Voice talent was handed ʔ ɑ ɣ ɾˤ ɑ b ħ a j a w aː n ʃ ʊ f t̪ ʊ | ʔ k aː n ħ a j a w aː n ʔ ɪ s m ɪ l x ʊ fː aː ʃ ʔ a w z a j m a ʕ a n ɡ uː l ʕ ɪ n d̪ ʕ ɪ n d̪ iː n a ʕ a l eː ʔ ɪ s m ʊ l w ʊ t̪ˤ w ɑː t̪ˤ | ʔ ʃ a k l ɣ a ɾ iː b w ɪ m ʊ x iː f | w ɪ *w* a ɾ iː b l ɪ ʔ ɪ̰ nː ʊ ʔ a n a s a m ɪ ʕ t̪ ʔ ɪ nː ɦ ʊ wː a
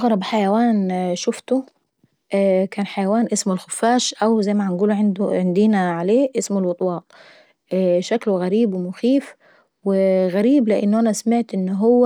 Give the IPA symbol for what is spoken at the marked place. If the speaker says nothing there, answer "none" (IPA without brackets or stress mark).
ɣ